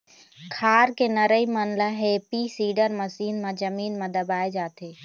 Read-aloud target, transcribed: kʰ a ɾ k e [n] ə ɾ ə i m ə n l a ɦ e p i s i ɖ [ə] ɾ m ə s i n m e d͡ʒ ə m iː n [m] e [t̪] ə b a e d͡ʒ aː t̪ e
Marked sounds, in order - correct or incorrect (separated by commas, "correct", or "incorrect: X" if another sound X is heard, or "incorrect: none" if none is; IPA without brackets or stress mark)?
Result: correct, correct, correct, incorrect: d̪